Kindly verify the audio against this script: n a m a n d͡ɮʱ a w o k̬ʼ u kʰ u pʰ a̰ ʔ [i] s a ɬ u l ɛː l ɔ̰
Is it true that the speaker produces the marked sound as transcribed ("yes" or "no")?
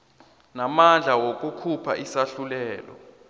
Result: yes